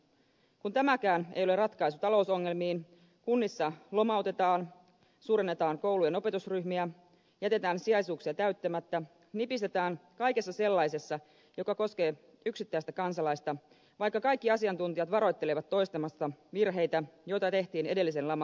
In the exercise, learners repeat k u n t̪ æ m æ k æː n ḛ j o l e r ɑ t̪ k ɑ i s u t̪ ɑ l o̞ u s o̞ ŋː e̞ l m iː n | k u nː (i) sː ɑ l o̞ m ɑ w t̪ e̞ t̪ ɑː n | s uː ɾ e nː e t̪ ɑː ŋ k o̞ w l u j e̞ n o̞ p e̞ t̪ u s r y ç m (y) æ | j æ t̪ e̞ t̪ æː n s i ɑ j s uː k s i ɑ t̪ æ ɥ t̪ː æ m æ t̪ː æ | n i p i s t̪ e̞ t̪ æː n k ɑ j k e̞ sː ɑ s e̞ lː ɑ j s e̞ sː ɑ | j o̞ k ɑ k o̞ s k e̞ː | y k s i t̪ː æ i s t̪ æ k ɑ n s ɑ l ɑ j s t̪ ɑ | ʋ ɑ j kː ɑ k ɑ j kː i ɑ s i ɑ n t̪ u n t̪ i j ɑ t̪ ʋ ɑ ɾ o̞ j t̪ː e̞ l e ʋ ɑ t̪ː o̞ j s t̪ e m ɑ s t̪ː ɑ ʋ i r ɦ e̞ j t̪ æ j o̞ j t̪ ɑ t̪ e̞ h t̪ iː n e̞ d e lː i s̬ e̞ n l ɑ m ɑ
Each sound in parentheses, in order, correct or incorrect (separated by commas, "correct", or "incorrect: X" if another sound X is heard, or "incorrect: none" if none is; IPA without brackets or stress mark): correct, incorrect: i